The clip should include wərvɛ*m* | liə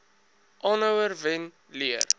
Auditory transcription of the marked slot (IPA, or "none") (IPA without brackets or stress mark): n